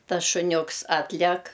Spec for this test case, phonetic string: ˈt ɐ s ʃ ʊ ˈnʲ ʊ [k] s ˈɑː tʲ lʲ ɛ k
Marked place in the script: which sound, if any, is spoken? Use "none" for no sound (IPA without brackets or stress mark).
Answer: k